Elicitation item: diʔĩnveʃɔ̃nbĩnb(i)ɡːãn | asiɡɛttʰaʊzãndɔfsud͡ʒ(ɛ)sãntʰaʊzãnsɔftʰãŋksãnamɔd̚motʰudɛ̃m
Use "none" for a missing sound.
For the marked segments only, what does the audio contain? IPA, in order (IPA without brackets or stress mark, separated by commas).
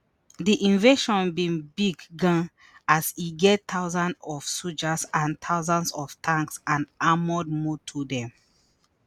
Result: i, a